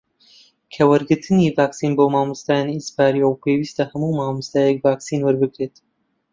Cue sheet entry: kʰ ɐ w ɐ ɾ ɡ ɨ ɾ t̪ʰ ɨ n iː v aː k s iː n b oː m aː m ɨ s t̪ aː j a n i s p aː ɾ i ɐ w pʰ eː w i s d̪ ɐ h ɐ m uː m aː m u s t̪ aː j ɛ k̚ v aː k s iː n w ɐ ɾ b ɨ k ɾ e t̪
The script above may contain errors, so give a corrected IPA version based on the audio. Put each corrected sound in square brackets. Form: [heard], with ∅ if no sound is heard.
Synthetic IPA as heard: kʰ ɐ w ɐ ɾ ɡ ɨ ɾ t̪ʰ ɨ n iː v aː k s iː n b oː m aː m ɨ s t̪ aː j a n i s p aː ɾ i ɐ w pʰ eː w i s [t̪] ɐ h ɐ m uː m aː m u s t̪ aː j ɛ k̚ v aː k s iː n w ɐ ɾ b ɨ k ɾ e t̪